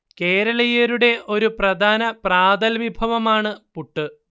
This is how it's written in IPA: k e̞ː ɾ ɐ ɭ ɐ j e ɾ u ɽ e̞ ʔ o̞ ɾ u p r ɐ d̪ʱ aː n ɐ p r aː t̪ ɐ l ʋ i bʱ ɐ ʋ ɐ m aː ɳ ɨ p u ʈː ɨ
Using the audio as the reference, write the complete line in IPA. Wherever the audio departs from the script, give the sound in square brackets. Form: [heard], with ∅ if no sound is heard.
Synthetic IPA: k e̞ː ɾ ɐ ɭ ɐ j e ɾ u ɽ e̞ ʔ o̞ ɾ u p r ɐ d̪ʱ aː n ɐ p r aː [d̪] ɐ l ʋ i bʱ ɐ ʋ ɐ m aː ɳ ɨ p u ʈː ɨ